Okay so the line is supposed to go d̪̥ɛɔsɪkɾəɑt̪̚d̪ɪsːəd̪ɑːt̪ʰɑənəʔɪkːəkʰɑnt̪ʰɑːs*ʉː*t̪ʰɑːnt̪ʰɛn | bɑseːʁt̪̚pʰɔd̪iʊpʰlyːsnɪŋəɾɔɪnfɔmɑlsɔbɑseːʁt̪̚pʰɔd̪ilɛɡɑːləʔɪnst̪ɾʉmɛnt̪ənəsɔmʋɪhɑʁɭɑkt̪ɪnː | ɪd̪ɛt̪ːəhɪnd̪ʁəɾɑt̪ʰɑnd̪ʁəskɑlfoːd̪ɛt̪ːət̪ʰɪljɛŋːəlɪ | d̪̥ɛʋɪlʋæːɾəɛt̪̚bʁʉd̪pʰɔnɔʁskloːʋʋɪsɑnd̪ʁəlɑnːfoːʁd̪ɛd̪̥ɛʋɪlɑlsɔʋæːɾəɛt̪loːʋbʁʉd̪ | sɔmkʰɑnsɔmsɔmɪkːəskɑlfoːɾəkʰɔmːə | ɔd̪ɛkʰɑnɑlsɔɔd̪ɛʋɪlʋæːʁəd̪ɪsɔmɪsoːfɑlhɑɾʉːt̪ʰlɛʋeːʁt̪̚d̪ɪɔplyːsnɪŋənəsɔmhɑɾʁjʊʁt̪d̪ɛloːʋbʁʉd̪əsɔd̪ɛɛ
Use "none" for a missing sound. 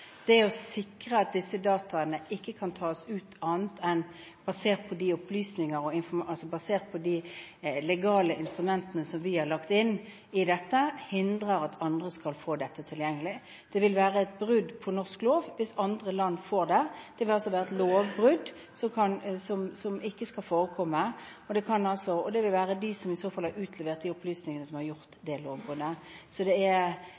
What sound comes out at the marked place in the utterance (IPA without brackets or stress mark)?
ʉː